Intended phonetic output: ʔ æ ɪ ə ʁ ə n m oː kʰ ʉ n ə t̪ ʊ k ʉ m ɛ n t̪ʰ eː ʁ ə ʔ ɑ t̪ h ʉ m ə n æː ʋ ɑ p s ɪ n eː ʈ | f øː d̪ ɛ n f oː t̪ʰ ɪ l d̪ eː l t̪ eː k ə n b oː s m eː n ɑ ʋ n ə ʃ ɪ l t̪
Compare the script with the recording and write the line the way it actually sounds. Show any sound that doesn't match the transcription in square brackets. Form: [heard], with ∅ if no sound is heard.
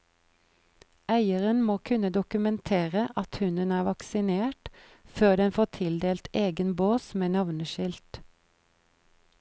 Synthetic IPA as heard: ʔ æ ɪ ə ʁ ə n m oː kʰ ʉ n ə [d̪] ʊ k ʉ m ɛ n t̪ʰ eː ʁ ə ʔ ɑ t̪ h ʉ [n] ə n æː ʋ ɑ [k] s ɪ n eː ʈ | f øː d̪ ɛ n f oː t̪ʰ ɪ l d̪ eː l t̪ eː [ɡ] ə n b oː s m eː n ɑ ʋ n ə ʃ ɪ l t̪